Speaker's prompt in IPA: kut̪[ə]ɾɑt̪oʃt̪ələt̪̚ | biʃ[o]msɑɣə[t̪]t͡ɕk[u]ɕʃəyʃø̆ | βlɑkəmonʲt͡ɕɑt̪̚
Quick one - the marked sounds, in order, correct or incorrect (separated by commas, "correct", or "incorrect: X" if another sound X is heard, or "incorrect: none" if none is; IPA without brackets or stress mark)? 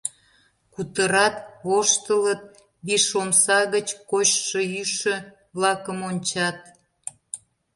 correct, correct, incorrect: none, incorrect: o